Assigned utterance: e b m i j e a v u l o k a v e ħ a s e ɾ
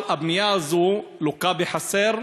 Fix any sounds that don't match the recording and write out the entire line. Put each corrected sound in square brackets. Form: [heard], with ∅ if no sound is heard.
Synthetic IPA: [a] b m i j [a] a [z] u l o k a [b] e ħ a s e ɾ